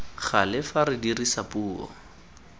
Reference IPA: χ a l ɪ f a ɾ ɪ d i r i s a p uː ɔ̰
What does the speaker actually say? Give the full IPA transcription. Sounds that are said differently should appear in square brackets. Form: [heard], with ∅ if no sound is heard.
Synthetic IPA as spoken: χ a l ɪ f a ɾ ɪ d i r i s a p uː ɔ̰